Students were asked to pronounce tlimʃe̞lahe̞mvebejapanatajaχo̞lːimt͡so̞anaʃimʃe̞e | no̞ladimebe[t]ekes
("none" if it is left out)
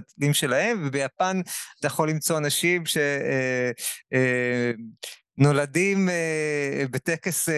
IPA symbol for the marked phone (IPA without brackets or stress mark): t